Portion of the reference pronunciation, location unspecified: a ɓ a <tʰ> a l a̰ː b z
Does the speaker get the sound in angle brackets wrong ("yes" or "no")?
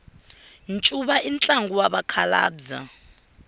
yes